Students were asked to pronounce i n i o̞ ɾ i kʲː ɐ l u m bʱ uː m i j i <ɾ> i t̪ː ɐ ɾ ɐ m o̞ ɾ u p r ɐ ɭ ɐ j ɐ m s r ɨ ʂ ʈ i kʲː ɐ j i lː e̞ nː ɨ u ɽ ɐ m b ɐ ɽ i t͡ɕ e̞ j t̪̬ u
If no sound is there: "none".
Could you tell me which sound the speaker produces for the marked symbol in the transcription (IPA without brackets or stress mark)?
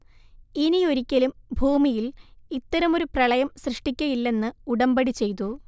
l